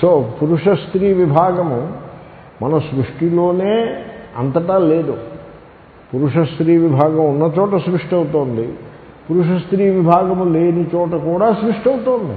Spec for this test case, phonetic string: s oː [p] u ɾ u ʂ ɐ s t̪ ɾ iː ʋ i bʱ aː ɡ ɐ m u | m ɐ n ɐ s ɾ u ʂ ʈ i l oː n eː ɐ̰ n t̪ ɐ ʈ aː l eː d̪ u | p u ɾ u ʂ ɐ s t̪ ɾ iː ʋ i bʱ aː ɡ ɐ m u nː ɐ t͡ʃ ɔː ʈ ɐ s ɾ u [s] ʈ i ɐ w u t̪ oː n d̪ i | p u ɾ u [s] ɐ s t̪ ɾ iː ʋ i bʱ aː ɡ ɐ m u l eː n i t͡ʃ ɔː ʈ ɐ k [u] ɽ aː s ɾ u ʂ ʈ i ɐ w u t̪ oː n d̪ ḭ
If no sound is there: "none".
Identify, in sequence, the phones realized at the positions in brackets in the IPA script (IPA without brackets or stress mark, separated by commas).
p, ʂ, ʂ, uː